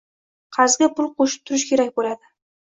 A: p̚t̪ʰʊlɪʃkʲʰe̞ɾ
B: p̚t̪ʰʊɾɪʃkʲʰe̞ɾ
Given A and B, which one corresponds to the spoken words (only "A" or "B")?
B